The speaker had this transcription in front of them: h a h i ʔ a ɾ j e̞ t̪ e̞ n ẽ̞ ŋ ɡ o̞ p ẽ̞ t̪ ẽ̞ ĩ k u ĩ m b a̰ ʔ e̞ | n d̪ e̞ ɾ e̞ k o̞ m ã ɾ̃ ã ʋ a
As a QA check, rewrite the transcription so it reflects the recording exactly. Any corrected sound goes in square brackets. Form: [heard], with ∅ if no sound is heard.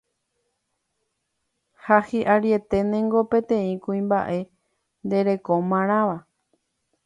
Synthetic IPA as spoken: h a h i ʔ a ɾ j e̞ t̪ e̞ n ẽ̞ ŋ ɡ o̞ p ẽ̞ t̪ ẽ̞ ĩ k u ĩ m b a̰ ʔ e̞ | n d̪ e̞ ɾ e̞ k o̞ m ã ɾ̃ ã ʋ a